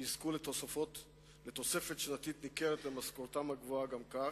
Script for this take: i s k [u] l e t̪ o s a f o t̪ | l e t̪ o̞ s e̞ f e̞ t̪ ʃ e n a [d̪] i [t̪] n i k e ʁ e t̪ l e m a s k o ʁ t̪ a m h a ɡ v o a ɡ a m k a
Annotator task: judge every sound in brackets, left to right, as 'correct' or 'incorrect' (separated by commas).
correct, incorrect, correct